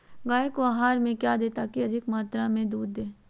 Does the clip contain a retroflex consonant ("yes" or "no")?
no